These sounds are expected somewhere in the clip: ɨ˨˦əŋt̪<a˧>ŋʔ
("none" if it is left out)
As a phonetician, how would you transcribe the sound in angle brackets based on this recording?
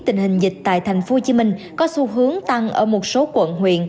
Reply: a˧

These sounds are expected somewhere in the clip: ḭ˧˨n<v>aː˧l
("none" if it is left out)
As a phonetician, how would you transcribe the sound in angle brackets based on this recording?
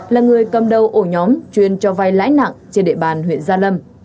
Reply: z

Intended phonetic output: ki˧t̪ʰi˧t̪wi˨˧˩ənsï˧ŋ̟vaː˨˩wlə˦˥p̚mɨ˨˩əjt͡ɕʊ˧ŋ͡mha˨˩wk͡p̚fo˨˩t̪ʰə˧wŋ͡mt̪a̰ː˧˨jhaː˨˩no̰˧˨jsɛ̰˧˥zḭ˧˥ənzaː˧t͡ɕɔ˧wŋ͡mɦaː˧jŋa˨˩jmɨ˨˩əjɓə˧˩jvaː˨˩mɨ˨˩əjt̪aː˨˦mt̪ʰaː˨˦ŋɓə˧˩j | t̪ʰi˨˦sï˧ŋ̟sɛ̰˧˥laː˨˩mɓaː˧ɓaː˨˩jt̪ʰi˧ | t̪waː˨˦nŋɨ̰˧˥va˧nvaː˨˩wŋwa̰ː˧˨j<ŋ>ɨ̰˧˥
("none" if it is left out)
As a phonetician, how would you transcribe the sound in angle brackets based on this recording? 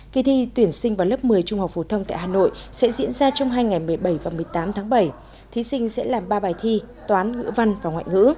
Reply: ŋ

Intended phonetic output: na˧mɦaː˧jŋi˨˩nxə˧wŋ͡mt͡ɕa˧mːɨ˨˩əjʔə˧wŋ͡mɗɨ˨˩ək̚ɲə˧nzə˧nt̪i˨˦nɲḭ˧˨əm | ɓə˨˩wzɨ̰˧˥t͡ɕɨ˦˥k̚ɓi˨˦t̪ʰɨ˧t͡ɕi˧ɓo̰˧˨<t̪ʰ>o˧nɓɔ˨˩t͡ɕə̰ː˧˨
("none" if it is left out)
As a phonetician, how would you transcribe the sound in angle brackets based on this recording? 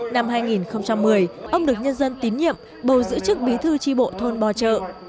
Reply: t̪ʰ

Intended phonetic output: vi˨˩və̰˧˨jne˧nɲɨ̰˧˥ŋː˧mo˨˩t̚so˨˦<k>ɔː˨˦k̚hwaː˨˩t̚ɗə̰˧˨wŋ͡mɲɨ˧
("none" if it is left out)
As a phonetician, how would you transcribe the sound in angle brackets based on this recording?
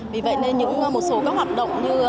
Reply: k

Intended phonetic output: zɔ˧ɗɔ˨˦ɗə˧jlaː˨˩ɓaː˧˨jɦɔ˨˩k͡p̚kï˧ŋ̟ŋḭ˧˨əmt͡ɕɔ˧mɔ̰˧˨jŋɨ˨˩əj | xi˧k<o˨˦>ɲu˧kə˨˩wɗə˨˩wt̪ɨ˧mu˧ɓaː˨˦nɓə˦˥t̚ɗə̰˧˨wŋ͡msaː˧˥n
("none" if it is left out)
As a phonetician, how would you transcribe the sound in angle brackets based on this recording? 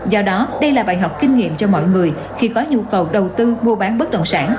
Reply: ɔ˨˦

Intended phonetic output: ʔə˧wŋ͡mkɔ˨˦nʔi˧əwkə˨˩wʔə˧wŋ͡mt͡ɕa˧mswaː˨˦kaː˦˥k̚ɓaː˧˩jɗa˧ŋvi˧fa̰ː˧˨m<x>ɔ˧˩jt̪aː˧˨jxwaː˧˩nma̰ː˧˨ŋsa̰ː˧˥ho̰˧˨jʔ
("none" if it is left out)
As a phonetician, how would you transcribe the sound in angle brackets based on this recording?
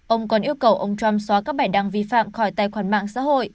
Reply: x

